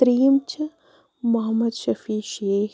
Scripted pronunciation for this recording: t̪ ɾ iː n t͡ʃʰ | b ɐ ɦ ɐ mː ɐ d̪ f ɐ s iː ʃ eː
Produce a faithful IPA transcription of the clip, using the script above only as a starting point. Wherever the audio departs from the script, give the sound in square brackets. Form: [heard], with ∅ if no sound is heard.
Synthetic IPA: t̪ ɾ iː [m] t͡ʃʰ | [m] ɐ ɦ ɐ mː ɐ d̪ [ʃ] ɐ [f] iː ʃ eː